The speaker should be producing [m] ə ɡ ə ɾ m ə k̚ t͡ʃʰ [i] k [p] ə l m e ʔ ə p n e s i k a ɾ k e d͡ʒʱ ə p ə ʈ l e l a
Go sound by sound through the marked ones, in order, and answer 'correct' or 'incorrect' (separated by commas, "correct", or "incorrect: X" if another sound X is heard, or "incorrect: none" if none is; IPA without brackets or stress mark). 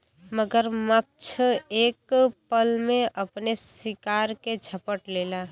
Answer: correct, incorrect: e, correct